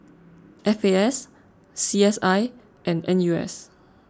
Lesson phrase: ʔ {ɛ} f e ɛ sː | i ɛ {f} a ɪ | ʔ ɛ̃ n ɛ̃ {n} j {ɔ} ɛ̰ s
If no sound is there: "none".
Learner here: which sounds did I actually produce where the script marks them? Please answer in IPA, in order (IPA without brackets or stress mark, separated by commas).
ɛ, s, n, u